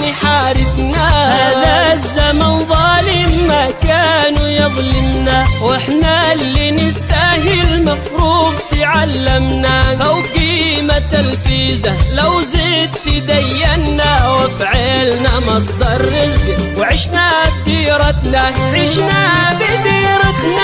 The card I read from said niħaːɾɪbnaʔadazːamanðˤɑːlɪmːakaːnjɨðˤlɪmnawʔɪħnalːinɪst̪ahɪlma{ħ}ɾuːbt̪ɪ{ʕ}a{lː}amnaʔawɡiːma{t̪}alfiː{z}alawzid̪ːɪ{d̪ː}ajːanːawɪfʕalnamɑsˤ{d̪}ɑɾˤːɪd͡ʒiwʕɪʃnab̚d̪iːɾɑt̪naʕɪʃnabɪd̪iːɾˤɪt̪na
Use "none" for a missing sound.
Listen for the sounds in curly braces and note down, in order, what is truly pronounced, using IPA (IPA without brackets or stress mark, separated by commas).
f, ʕ, lː, t̪, z, d̪, d̪